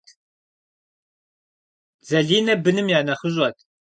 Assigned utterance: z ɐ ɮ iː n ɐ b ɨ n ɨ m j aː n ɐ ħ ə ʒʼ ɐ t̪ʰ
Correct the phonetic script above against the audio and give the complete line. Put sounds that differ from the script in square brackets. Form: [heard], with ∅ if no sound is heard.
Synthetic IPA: z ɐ ɮ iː n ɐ b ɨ n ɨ m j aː n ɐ [χ] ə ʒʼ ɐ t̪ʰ